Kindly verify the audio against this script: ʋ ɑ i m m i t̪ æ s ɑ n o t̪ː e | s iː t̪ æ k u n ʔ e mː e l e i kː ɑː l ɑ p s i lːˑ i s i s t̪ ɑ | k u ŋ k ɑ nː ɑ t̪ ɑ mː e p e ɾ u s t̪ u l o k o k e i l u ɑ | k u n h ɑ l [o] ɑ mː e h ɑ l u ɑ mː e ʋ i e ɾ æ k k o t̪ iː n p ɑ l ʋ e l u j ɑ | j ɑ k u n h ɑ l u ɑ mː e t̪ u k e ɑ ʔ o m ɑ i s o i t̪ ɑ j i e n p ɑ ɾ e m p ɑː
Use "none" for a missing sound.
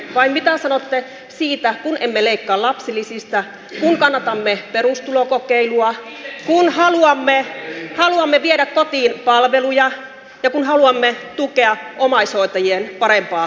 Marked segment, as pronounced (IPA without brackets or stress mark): u